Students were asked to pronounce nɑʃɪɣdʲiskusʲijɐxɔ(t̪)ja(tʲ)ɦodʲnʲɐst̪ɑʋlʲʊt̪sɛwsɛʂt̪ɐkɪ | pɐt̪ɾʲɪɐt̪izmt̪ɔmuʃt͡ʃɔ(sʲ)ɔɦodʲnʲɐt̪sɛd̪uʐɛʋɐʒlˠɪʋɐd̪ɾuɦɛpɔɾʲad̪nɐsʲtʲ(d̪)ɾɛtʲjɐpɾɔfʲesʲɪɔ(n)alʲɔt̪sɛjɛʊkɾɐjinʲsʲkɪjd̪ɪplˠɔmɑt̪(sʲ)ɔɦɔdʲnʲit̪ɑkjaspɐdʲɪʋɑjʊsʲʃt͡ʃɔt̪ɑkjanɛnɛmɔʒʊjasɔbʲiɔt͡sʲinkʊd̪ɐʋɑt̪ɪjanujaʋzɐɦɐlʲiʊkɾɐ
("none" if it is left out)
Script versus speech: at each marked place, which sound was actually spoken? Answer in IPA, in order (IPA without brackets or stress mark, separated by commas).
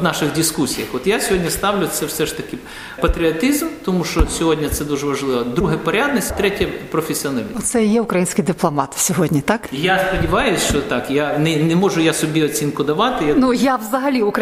t̪, sʲ, sʲ, t̪, n, sʲ